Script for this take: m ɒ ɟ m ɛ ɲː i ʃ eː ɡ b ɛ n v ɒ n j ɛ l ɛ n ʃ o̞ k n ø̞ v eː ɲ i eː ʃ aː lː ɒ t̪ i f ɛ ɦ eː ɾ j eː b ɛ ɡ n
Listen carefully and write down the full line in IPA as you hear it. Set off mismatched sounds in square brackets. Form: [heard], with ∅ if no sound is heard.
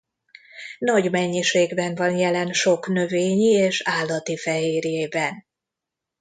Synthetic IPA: [n] ɒ ɟ m ɛ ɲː i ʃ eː ɡ b ɛ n v ɒ n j ɛ l ɛ n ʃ o̞ k n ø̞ v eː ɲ i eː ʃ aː lː ɒ t̪ i f ɛ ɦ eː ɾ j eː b ɛ [∅] n